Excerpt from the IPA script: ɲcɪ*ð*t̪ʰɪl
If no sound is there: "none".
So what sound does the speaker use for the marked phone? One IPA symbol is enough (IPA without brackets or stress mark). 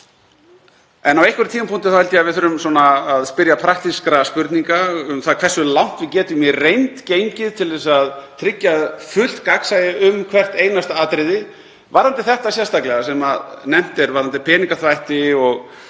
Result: ð